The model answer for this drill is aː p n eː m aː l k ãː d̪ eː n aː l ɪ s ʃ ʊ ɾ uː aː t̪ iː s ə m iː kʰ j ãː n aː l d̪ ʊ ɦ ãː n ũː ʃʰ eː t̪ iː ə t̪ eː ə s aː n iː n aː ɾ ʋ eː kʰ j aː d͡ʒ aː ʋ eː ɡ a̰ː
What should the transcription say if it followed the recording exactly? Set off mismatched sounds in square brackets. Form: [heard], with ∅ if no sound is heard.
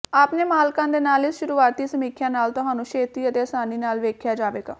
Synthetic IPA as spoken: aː p n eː m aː l k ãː d̪ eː n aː l ɪ s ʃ ʊ ɾ uː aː t̪ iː s ə m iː kʰ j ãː n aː l [t̪] ʊ ɦ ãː n ũː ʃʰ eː t̪ iː ə t̪ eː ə s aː n iː n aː [l] ʋ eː kʰ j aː d͡ʒ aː ʋ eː ɡ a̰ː